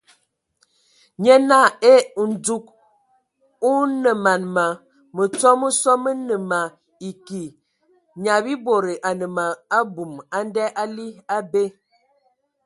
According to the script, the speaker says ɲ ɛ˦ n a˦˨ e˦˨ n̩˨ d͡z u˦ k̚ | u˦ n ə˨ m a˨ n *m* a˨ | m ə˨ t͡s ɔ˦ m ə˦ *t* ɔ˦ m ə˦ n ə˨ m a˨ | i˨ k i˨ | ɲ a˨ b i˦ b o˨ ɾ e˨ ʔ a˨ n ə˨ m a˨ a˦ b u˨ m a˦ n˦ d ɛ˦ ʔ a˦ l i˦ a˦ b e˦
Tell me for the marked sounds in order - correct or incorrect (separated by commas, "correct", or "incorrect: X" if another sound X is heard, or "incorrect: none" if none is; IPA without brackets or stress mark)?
correct, incorrect: s